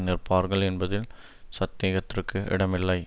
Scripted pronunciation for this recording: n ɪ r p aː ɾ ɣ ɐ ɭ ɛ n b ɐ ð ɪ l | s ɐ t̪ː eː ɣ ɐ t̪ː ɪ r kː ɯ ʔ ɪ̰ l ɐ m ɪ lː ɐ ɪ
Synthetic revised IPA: n ɪ r p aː ɾ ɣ ɐ ɭ ɛ n b ɐ ð ɪ l | s ɐ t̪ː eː ɣ ɐ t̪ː ɪ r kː ɯ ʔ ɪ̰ ɽ ɐ m ɪ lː ɐ ɪ